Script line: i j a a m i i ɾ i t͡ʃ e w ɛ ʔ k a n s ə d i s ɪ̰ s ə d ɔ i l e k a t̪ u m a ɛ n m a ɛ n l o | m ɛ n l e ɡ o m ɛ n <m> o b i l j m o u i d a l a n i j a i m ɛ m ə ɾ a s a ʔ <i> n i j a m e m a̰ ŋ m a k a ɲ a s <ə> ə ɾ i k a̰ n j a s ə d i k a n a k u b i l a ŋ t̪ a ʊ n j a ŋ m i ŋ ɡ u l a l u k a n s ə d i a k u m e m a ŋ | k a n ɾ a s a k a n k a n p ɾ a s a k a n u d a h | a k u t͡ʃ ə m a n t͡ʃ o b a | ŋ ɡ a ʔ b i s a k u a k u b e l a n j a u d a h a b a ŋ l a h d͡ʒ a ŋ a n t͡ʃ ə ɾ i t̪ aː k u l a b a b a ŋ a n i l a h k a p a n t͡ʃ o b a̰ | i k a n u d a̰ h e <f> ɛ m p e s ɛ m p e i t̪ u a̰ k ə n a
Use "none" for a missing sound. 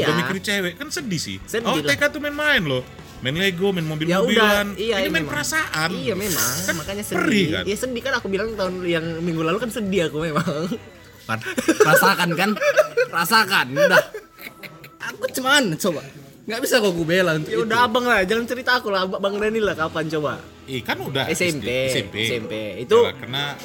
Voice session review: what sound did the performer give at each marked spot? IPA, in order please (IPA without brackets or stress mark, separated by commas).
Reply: m, a, ə, s